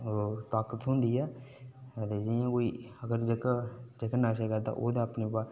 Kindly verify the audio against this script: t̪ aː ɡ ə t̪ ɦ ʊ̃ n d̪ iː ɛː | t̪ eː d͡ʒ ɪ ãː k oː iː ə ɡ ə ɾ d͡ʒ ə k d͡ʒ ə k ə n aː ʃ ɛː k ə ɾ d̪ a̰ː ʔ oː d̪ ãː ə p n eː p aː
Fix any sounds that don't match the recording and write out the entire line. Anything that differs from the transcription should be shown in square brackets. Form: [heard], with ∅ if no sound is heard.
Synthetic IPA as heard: t̪ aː [k] ə t̪ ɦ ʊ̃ n d̪ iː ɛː | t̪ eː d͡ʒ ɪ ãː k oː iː ə ɡ ə ɾ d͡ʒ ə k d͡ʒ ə k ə n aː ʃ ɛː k ə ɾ d̪ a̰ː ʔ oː d̪ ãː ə p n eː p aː